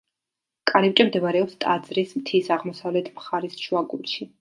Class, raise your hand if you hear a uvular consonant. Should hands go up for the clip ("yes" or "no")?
yes